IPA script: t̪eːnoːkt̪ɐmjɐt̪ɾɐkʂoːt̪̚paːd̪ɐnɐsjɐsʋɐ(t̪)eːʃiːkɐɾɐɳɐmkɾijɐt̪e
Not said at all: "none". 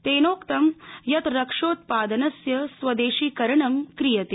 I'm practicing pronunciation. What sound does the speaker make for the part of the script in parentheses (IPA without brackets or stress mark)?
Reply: d̪